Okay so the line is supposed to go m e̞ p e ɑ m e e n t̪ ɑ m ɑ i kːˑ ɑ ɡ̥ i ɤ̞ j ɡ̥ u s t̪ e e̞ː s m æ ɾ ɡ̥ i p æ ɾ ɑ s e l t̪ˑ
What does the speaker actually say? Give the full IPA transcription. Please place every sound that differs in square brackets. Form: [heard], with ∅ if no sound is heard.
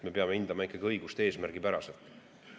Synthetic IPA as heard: m e̞ p e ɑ m e [i] n [d̪] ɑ m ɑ i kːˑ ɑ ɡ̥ i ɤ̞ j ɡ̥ u s t̪ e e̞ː s m æ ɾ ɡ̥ i p æ ɾ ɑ s e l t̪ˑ